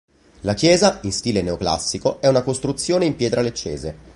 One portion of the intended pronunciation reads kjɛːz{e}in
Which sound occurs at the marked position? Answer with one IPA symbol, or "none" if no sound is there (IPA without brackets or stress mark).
a